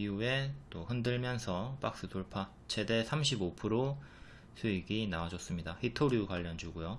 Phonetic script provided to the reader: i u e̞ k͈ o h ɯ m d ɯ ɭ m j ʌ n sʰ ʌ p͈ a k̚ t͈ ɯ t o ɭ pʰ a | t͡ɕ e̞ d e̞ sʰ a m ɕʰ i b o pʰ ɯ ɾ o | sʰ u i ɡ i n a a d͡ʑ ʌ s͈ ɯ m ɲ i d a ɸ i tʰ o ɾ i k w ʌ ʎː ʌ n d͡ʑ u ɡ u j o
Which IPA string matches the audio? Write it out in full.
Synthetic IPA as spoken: i u e̞ t͈ o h ɯ n d ɯ ɭ m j ʌ n sʰ ʌ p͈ a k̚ s͈ ɯ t o ɭ pʰ a | t͡ɕʰ e̞ d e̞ sʰ a m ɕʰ i b o pʰ ɯ ɾ o | sʰ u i ɡ i n a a d͡ʑ ʌ s͈ ɯ m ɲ i d a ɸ i tʰ o ɾ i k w a ʎː ʌ n d͡ʑ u ɡ u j o

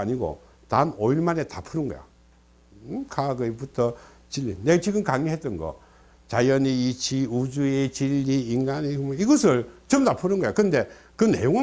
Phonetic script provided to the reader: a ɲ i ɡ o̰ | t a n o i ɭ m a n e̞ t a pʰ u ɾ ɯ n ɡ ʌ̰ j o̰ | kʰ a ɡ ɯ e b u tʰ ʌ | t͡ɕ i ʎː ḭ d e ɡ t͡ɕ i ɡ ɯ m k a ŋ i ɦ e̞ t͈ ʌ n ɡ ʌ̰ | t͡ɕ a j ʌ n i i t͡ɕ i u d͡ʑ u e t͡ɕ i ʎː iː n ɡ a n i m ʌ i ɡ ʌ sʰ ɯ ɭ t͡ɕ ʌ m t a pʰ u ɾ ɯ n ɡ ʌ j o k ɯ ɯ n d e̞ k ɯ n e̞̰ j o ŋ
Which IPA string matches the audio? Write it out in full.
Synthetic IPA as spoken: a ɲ i ɡ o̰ | t a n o i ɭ m a n e̞ t a pʰ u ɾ ɯ n ɡ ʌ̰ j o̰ | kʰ a ɡ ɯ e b u tʰ ʌ | t͡ɕ i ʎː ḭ n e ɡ t͡ɕ i ɡ ɯ m k a ŋ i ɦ e̞ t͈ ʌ n ɡ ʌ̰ | t͡ɕ a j ʌ n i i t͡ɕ i u d͡ʑ u e t͡ɕ i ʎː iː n ɡ a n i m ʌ i ɡ ʌ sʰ ɯ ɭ t͡ɕ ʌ m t a pʰ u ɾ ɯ n ɡ ʌ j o k ɯ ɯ n d e̞ k ɯ n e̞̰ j o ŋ

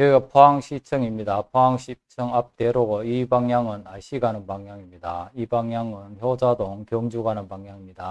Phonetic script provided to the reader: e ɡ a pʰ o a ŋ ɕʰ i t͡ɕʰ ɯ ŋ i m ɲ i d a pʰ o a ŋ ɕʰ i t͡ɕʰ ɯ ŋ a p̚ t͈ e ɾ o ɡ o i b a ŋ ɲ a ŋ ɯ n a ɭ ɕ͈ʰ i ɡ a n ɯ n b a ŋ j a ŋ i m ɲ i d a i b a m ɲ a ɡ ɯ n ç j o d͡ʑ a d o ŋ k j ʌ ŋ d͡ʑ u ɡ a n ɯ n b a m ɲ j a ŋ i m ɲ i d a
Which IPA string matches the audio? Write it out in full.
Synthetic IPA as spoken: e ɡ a pʰ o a ŋ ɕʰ i t͡ɕʰ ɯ ŋ i m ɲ i d a pʰ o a ŋ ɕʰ i t͡ɕʰ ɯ ŋ a p̚ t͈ e ɾ o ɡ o i b a ŋ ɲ a ŋ ɯ n a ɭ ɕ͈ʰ i ɡ a n ɯ n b a ŋ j a ŋ i m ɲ i d a i b a ŋ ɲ a ŋ ɯ n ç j o d͡ʑ a d o ŋ k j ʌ ŋ d͡ʑ u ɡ a n ɯ n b a ŋ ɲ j a ŋ i m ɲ i d a

